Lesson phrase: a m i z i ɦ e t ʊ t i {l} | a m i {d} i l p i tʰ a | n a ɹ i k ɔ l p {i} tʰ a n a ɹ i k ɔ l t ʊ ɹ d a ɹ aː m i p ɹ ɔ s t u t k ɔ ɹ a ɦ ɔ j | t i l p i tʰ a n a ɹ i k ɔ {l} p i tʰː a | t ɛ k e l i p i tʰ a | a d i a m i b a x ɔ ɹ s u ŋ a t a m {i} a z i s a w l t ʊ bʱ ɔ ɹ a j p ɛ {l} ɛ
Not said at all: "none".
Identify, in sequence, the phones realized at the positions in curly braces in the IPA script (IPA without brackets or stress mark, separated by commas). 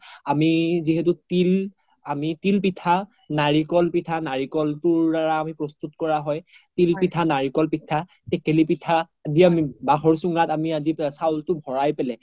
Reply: l, t, i, l, i, l